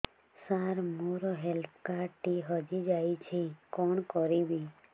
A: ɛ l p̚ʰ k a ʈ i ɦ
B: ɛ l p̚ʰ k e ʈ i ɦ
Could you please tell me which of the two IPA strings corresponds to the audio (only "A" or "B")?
A